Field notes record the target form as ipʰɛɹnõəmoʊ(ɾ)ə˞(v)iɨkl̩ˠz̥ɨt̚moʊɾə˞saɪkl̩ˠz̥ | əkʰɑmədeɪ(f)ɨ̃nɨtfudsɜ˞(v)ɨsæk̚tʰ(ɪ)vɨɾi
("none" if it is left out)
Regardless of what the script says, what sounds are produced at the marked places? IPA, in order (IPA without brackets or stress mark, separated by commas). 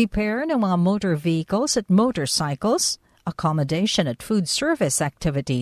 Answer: ɾ, v, ʃ, v, ɪ